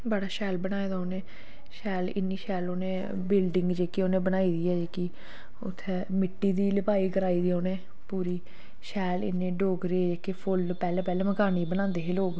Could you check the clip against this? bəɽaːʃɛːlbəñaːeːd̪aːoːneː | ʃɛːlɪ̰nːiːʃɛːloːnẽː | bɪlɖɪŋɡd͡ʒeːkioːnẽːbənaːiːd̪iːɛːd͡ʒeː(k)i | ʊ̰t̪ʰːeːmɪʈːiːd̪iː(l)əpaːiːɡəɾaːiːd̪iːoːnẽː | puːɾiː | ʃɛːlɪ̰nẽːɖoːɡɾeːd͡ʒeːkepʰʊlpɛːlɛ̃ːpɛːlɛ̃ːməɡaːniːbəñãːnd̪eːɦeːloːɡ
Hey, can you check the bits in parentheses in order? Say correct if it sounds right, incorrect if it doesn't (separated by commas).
correct, correct